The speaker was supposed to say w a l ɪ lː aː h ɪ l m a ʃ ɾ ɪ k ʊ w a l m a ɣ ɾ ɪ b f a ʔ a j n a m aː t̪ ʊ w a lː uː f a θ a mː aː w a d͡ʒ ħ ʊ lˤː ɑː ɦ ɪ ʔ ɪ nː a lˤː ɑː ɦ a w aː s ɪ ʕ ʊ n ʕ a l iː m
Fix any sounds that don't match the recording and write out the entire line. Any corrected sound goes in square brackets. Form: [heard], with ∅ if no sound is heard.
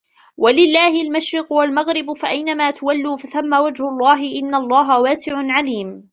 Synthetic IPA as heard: w a l ɪ lː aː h ɪ l m a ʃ ɾ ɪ [q] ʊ w a l m a ɣ ɾ ɪ b f a ʔ a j n a m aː t̪ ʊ w a lː uː f a θ a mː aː w a d͡ʒ [h] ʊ lˤː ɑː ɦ ɪ ʔ ɪ nː a lˤː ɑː ɦ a w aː s ɪ ʕ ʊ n ʕ a l iː m